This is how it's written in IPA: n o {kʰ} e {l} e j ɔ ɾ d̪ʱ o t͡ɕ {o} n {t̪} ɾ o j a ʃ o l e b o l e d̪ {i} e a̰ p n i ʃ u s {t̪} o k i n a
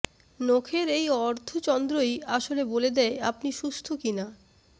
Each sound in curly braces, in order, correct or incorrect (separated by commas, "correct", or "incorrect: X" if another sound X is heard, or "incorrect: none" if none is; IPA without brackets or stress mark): correct, incorrect: ɾ, incorrect: ɔ, incorrect: d̪, incorrect: ɛ, incorrect: t̪ʰ